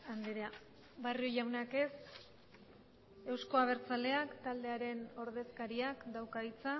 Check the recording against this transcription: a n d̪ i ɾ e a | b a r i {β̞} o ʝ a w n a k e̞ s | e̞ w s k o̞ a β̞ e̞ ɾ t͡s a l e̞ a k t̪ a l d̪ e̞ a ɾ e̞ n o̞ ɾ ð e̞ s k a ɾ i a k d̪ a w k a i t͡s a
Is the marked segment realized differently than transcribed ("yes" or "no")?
yes